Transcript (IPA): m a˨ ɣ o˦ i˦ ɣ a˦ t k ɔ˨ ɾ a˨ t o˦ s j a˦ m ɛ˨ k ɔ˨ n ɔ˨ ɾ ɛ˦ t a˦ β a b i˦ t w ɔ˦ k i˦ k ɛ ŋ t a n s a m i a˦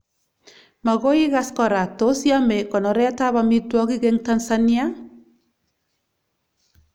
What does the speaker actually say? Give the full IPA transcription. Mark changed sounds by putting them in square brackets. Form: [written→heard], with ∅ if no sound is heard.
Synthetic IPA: m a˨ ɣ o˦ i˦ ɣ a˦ [t→s] k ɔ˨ ɾ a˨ t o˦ s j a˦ m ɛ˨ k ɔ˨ n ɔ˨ ɾ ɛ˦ t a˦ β a [b→m] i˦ t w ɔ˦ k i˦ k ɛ ŋ t a n s a [m→n] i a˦

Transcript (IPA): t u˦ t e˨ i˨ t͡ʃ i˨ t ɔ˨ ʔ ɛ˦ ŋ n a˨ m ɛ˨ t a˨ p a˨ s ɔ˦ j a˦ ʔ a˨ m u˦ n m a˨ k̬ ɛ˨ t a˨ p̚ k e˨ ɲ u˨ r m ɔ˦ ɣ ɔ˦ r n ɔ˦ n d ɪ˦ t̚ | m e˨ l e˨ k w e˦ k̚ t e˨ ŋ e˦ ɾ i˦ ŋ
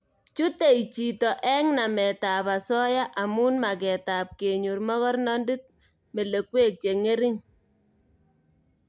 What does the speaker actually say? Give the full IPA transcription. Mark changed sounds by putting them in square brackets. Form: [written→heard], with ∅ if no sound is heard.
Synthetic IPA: [t→t͡ʃ] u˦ t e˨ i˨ t͡ʃ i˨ t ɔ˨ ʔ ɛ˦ ŋ n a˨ m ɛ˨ t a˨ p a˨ s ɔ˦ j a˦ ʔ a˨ m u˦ n m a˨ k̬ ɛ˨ t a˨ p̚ k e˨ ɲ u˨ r m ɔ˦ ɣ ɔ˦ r n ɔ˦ n d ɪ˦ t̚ | m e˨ l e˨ k w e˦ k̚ [t→t͡ʃ] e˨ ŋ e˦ ɾ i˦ ŋ

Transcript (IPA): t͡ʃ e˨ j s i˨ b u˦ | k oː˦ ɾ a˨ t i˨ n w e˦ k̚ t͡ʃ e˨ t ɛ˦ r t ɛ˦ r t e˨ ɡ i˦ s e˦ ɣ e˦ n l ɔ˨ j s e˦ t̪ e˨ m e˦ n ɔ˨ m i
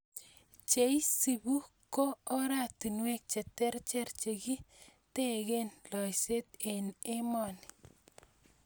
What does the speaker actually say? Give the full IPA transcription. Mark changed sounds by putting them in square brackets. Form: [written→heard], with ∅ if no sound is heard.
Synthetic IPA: t͡ʃ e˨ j s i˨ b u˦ | k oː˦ ɾ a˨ t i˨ n w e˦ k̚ t͡ʃ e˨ t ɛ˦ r [t→t͡ʃ] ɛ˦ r [t→t͡ʃ] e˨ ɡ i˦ [s→t] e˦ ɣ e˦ n l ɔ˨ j s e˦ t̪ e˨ [m→n] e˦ [n→m] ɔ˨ [m→n] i

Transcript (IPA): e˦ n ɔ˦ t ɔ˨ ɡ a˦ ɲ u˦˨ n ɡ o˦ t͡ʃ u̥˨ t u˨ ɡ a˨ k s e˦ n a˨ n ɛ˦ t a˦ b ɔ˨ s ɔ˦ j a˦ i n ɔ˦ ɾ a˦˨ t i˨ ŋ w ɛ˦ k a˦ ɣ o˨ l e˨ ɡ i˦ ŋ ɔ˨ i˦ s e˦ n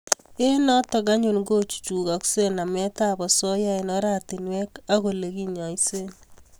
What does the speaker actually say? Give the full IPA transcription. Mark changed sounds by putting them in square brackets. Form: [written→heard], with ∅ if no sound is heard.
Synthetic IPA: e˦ n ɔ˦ t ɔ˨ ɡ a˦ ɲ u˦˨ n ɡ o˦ t͡ʃ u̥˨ [t→t͡ʃ] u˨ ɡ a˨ k s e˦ n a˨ [n→m] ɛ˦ t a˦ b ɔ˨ s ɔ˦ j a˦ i n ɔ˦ ɾ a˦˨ t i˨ [ŋ→n] w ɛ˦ k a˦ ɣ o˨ l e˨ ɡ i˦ [ŋ→ɲ] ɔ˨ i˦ s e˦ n

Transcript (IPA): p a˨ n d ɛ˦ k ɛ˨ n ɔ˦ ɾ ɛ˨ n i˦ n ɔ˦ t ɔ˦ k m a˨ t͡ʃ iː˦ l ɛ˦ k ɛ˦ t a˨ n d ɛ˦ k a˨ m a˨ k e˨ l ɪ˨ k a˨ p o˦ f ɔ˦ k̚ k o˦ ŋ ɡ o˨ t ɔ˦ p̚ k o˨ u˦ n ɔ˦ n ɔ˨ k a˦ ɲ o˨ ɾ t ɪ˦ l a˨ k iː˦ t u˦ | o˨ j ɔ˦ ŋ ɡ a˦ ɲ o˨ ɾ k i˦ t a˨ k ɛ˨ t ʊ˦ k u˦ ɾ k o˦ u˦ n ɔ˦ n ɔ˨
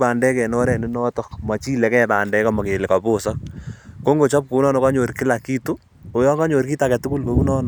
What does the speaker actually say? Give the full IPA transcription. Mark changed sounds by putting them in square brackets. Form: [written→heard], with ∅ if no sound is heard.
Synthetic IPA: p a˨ n d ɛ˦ k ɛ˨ n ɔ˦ ɾ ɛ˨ n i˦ n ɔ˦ t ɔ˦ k m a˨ t͡ʃ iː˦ l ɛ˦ k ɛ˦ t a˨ n d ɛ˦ k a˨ m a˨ k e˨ l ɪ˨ k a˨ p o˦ [f→s] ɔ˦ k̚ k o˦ ŋ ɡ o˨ [t→t͡ʃ] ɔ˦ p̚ k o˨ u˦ n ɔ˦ n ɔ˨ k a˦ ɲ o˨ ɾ [t→k] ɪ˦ l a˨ k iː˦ t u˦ | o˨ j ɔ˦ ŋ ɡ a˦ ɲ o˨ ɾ k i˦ t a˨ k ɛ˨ t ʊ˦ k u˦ [ɾ→l] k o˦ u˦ n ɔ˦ n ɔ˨

